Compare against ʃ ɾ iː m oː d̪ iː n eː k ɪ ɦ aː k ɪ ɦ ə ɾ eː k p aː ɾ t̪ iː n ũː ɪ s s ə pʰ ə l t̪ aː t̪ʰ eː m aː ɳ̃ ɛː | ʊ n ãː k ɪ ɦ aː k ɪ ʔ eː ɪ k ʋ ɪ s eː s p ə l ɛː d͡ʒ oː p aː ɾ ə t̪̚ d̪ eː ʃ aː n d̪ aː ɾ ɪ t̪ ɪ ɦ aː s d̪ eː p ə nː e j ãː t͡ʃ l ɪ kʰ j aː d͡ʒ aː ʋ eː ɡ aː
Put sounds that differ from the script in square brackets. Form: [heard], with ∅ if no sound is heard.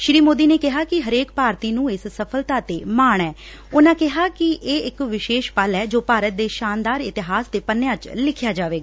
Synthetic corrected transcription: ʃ ɾ iː m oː d̪ iː n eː k ɪ ɦ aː k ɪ ɦ ə ɾ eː k p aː ɾ t̪ iː n ũː ɪ s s ə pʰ ə l t̪ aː [t̪] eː m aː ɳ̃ ɛː | ʊ n ãː k ɪ ɦ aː k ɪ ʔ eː ɪ k ʋ ɪ [ʃ] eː [ʃ] p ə l ɛː d͡ʒ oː p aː ɾ ə t̪̚ d̪ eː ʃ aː n d̪ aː ɾ ɪ t̪ ɪ ɦ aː s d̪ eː p ə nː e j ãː t͡ʃ l ɪ kʰ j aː d͡ʒ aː ʋ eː ɡ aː